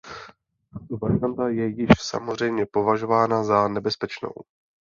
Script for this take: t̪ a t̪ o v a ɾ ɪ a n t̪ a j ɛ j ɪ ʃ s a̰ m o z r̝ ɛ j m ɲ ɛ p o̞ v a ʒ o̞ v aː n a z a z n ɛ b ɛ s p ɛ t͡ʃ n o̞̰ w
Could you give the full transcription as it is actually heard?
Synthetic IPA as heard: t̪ a t̪ o v a ɾ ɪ a n t̪ a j ɛ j ɪ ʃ s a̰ m o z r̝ ɛ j m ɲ ɛ p o̞ v a ʒ o̞ v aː n a z a n ɛ b ɛ s p ɛ t͡ʃ n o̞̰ w